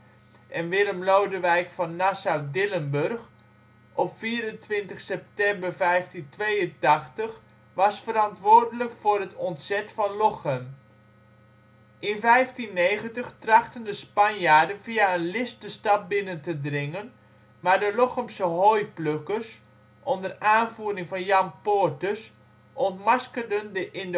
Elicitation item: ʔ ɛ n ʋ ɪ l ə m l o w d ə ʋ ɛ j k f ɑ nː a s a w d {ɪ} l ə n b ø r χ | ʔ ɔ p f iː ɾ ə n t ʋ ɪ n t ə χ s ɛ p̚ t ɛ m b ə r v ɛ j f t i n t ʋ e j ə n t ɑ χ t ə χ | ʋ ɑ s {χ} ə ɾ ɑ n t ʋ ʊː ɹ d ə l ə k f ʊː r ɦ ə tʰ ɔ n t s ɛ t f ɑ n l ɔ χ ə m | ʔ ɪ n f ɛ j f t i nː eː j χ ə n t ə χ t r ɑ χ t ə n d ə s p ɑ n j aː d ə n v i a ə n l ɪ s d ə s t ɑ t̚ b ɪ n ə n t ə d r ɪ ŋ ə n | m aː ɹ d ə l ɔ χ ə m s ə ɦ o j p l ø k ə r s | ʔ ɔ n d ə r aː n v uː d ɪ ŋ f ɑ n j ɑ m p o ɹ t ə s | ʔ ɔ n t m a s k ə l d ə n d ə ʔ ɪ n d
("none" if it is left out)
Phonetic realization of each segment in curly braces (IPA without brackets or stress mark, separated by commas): ɪ, f